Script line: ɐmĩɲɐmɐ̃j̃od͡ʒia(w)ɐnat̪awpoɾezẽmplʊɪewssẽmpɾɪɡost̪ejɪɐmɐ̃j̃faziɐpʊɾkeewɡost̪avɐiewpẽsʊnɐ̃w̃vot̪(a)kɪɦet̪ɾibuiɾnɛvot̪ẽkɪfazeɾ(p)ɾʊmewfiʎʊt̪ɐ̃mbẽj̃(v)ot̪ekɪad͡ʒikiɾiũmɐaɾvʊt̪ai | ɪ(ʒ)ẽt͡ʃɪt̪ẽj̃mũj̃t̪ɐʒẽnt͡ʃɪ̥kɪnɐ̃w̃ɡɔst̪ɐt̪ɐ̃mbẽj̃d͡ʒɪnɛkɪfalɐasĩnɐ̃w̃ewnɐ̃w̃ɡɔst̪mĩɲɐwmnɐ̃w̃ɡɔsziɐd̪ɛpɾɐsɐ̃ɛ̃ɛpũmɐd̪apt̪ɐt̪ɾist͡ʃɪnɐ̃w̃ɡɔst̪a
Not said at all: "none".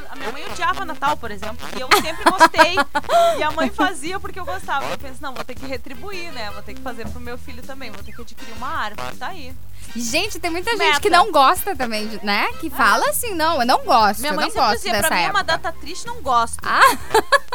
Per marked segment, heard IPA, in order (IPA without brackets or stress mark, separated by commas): v, e, p, v, ʒ